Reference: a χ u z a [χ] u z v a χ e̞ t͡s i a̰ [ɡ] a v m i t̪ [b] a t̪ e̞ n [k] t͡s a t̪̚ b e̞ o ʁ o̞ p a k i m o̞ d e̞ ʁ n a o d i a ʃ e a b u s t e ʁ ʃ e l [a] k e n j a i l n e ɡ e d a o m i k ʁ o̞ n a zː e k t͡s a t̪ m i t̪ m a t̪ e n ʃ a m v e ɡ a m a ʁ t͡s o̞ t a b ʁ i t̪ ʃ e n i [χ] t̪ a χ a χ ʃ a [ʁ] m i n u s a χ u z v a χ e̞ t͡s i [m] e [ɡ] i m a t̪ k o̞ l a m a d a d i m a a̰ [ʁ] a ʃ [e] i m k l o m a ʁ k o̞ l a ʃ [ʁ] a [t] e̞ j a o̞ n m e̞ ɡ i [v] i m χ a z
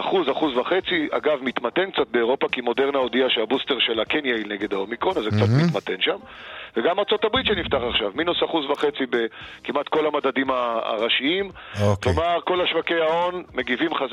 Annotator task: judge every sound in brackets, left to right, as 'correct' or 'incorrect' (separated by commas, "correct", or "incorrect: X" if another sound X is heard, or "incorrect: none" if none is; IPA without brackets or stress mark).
correct, correct, incorrect: m, correct, correct, incorrect: f, incorrect: v, incorrect: b, incorrect: k, correct, incorrect: i, incorrect: v, incorrect: k, correct